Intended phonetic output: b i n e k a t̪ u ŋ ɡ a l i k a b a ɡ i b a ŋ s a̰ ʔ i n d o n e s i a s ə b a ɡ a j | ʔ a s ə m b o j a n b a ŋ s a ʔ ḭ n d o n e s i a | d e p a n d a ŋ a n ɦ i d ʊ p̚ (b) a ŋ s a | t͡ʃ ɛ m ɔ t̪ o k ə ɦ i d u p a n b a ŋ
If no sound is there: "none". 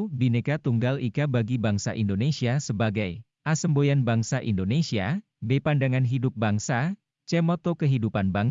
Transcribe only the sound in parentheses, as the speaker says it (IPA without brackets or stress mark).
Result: b